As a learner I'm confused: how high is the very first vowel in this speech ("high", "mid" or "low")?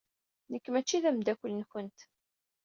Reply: mid